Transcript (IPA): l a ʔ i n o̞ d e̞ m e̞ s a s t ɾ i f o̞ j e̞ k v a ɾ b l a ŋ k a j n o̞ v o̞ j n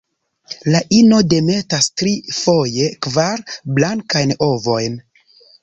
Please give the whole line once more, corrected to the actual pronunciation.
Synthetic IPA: l a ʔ i n o̞ d e̞ m e̞ t a s t ɾ i f o̞ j e̞ k v a ɾ b l a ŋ k a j n o̞ v o̞ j n